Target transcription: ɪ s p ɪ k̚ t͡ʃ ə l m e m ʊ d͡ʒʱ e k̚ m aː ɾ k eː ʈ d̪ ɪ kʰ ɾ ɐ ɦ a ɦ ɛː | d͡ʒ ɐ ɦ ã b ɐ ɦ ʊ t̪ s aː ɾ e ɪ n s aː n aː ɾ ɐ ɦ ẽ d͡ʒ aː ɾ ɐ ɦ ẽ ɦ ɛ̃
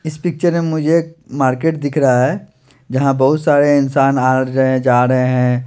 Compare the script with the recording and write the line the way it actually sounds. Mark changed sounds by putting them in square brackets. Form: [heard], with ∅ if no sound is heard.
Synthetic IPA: ɪ s p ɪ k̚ t͡ʃ ə [ɾ] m e m ʊ d͡ʒʱ e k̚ m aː ɾ k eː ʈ d̪ ɪ kʰ ɾ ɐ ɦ a ɦ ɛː | d͡ʒ ɐ ɦ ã b ɐ ɦ ʊ t̪ s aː ɾ e ɪ n s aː n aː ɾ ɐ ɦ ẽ d͡ʒ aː ɾ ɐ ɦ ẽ ɦ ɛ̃